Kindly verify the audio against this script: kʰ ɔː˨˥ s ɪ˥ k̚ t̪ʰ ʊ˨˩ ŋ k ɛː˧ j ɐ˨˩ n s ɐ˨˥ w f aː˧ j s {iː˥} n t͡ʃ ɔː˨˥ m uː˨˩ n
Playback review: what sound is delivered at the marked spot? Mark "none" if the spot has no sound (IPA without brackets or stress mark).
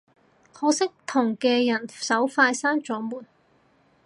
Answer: aː˥